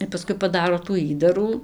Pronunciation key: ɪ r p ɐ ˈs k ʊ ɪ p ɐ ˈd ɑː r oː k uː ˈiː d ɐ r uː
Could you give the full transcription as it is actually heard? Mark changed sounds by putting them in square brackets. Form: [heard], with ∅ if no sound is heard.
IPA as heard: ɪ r p ɐ ˈs k ʊ ɪ p ɐ ˈd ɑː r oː [t] uː ˈiː d ɐ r uː